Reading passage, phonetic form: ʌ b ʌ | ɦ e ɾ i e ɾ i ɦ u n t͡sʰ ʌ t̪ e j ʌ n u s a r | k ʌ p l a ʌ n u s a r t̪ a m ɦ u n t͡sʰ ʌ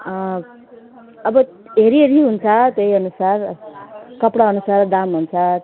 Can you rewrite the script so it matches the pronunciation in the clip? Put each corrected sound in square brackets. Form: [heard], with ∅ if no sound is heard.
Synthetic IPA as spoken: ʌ b ʌ | ɦ e ɾ i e ɾ i ɦ u n t͡sʰ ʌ t̪ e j ʌ n u s a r | k ʌ p [ɽ] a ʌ n u s a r [d̪] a m ɦ u n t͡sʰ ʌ